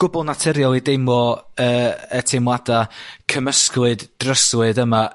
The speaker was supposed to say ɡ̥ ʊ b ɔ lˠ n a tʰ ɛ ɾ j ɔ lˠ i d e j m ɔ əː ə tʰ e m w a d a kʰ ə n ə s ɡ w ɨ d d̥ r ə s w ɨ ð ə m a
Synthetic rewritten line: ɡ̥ ʊ b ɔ lˠ n a tʰ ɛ ɾ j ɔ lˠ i d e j m ɔ əː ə tʰ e m w a d a kʰ ə m ə s k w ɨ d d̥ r ə s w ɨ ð ə m a